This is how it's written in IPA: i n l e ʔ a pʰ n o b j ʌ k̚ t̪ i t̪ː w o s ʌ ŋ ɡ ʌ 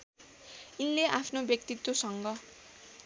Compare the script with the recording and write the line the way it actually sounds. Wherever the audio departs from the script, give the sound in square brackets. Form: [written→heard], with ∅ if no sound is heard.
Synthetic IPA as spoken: i n l e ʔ a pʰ n o b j ʌ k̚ t̪ i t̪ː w o s ʌ ŋ ɡ ʌ